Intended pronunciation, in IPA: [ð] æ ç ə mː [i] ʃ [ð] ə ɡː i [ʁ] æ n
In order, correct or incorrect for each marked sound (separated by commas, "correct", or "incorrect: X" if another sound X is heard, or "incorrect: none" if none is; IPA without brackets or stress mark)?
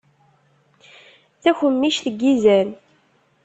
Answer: incorrect: θ, correct, incorrect: θ, incorrect: z